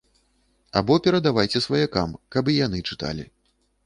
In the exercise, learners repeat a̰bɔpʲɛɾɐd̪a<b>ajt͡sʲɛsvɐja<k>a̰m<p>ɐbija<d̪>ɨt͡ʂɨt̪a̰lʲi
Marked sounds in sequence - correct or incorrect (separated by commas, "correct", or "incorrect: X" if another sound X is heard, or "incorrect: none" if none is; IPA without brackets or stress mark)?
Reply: incorrect: v, correct, incorrect: k, incorrect: n̪